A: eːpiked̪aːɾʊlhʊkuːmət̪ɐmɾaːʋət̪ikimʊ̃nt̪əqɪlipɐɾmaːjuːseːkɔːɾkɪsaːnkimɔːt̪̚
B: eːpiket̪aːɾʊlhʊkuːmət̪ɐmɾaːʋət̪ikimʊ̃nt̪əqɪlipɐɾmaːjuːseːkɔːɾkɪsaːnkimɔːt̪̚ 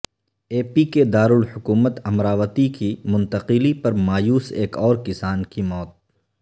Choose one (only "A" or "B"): A